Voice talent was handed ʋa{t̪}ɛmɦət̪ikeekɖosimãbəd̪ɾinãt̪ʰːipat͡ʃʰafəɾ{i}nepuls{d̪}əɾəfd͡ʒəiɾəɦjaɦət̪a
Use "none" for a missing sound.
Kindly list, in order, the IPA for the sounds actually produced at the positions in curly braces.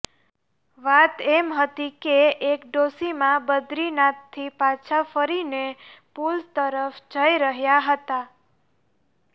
t̪, i, t̪

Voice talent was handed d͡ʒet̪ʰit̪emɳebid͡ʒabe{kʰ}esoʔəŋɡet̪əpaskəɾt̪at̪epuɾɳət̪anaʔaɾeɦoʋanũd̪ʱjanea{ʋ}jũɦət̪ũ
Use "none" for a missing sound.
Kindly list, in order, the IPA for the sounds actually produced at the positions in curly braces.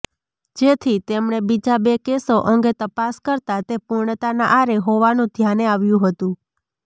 k, ʋ

